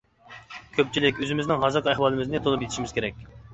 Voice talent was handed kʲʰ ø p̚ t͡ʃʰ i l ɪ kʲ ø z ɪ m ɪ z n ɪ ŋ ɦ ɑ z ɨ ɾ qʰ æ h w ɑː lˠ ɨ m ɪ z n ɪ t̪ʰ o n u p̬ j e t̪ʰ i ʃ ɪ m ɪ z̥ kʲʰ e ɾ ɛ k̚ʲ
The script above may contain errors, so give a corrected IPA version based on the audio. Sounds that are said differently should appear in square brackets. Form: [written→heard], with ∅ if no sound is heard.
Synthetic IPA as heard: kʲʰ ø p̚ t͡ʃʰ i l ɪ kʲ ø z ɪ m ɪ z n ɪ ŋ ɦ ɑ z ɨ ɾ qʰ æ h w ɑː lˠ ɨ m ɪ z n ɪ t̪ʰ o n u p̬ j e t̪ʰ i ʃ [ɪ→i] m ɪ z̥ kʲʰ e ɾ ɛ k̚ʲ